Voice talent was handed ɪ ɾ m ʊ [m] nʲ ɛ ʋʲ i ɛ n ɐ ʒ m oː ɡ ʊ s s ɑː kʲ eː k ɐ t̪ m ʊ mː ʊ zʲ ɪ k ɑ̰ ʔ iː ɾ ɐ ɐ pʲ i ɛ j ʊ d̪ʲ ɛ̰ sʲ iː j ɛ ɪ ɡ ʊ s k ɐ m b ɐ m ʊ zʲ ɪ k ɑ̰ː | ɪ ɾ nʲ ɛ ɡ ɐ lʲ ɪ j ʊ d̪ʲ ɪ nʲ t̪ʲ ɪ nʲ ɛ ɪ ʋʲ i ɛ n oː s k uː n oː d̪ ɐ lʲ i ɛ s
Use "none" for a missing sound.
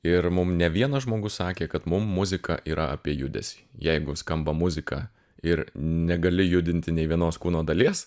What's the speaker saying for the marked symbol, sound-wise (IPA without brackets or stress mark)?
m